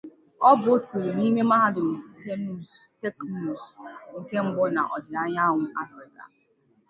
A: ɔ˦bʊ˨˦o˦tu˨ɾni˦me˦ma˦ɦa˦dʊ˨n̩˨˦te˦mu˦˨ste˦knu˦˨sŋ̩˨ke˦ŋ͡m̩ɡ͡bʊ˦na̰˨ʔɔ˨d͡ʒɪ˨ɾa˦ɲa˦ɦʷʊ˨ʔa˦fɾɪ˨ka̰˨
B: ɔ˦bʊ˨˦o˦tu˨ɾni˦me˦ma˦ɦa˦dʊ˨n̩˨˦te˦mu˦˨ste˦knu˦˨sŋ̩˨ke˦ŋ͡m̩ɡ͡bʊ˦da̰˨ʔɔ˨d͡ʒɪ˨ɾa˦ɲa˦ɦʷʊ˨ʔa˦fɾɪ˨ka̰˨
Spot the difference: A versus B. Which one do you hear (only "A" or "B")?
A